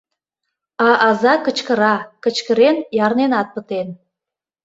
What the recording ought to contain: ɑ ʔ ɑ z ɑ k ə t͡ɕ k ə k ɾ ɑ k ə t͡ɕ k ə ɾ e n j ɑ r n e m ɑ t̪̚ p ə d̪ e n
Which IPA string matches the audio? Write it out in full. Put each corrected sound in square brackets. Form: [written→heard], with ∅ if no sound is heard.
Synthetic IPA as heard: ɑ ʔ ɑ z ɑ k ə t͡ɕ k ə [k→∅] ɾ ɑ k ə t͡ɕ k ə ɾ e n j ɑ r n e [m→n] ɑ t̪̚ p ə [d̪→t̪] e n